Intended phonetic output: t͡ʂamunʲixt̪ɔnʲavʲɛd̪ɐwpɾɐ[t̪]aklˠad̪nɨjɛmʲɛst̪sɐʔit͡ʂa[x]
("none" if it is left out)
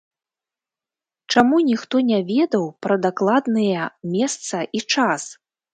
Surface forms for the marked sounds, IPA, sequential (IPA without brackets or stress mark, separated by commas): d̪, s